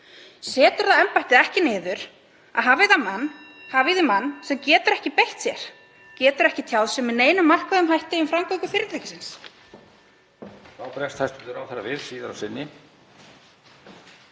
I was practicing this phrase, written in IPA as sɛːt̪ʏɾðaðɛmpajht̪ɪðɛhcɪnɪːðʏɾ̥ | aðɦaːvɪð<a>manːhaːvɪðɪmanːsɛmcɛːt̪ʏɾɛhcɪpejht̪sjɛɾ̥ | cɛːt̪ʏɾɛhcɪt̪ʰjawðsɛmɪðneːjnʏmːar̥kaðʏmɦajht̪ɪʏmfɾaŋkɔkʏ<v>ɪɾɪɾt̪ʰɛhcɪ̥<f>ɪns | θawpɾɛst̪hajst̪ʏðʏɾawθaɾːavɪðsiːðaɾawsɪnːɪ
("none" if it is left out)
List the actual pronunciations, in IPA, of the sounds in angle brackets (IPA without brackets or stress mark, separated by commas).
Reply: a, f, s